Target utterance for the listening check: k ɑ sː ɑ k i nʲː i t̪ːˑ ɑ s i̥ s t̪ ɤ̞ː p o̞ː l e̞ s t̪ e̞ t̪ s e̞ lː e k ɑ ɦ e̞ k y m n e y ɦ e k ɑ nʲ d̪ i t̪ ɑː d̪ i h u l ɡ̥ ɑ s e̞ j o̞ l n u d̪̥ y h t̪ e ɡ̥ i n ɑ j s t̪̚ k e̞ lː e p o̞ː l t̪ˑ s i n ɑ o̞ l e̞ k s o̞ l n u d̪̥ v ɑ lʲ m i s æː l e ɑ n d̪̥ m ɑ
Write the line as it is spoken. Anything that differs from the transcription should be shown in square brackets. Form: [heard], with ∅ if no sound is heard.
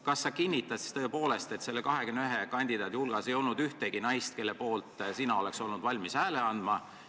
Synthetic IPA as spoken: k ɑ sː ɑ k i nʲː i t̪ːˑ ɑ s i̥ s t̪ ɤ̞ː p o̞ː l e̞ s t̪ e̞ t̪ s e̞ lː e k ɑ ɦ e̞ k y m n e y ɦ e k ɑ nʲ d̪ i [d̪] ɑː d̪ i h u l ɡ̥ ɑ s e̞ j o̞ l n u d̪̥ y h t̪ e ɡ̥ i n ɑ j s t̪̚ k e̞ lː e p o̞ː l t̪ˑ s i n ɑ o̞ l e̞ k s o̞ l n u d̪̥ v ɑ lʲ m i s æː l e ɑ n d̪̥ m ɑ